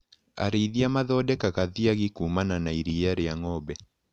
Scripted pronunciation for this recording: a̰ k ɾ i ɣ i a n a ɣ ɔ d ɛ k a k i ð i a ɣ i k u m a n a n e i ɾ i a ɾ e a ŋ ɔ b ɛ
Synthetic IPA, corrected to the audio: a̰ ɾ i ð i a m a ð ɔ d ɛ k a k a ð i a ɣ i k u m a n a n a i ɾ i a ɾ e a ŋ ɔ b ɛ